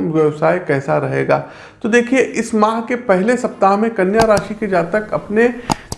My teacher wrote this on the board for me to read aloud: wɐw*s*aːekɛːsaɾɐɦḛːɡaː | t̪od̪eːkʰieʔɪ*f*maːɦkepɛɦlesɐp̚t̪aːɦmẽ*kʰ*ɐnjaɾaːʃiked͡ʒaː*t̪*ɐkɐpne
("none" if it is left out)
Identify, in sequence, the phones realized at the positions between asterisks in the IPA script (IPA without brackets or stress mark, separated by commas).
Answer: s, s, k, t̪